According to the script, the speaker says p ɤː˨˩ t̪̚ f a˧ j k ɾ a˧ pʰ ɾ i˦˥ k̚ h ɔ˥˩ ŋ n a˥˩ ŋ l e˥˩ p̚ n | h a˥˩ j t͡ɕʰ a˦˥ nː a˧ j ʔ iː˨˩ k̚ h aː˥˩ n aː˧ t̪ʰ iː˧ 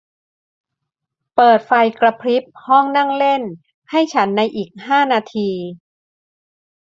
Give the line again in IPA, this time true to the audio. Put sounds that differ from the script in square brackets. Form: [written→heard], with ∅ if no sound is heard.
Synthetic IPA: p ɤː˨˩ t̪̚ f a˧ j k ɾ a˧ pʰ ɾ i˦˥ [k̚→p̚] h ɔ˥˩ ŋ n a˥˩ ŋ l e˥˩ [p̚→∅] n | h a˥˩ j t͡ɕʰ a˦˥ nː a˧ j ʔ iː˨˩ k̚ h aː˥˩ n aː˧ t̪ʰ iː˧